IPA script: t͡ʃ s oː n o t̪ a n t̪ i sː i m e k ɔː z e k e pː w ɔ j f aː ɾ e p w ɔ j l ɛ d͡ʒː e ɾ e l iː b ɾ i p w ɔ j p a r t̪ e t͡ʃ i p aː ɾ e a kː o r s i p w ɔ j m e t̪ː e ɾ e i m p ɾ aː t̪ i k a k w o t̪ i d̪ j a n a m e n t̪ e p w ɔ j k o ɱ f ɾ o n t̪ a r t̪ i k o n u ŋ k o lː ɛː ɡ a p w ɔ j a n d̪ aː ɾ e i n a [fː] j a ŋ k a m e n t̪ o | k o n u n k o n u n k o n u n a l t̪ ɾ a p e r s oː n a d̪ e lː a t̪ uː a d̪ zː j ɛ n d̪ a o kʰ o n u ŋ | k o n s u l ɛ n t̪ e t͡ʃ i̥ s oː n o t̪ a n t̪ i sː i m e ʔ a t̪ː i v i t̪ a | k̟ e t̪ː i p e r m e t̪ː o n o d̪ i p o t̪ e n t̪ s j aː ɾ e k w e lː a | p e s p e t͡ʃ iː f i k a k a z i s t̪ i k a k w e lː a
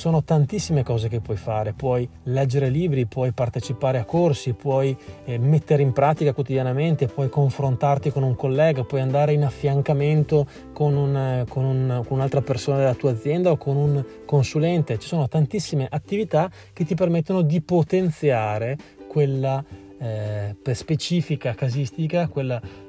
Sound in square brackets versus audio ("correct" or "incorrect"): correct